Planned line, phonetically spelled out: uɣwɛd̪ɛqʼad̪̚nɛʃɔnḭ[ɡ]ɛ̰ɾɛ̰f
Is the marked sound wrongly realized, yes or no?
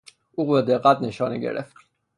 no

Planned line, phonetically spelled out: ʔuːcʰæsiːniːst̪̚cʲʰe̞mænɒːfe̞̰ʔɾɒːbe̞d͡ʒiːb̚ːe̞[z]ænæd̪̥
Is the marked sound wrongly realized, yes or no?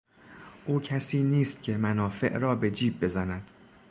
no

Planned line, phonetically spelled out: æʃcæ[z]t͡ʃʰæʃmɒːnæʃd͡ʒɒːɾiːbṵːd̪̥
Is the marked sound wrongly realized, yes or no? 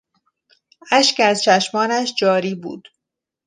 no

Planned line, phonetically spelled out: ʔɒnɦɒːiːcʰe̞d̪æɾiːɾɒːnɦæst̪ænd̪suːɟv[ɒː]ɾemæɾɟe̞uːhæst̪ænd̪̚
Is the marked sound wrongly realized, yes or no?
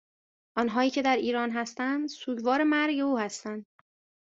no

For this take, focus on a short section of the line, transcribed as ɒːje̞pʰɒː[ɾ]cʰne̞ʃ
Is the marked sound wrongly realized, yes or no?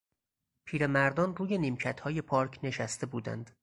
no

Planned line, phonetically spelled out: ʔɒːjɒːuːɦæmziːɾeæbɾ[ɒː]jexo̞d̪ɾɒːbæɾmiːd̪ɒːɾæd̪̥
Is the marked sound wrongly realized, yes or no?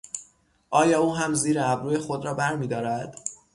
yes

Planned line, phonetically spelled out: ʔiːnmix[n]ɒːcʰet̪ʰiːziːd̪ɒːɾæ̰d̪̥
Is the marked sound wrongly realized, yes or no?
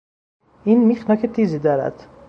no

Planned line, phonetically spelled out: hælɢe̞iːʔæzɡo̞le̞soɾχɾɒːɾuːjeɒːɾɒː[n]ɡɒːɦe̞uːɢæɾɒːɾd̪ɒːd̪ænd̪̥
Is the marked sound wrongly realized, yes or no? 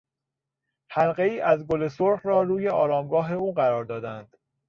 yes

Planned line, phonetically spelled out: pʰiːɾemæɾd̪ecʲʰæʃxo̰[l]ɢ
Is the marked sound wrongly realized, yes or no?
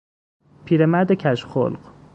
no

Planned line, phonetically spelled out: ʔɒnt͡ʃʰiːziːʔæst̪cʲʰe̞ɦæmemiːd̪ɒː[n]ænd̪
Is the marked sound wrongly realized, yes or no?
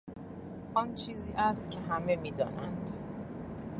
no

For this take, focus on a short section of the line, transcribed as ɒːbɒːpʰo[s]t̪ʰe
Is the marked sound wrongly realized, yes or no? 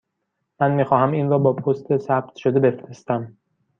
no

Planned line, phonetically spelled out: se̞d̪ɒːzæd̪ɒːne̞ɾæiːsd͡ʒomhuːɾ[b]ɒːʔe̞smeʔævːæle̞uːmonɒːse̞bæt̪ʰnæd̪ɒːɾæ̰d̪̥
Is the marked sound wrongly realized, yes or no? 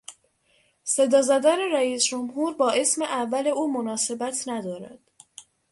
no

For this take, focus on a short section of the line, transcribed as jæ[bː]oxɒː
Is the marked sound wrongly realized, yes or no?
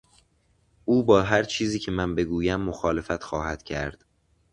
yes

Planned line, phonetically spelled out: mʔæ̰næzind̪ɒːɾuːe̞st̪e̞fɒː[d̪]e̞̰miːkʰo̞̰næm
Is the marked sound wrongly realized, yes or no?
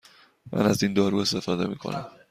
no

